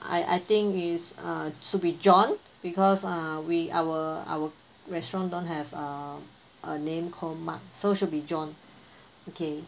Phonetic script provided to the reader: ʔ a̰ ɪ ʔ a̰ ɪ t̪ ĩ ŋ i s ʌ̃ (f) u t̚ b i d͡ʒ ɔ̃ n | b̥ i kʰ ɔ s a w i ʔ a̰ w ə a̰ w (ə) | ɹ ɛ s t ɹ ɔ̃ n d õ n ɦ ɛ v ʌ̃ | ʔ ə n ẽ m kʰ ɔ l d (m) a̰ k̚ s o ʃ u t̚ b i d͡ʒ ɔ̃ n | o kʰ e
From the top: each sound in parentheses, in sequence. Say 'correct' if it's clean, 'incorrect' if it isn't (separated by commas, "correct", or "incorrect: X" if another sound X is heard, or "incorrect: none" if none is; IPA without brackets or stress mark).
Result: incorrect: ʃ, correct, correct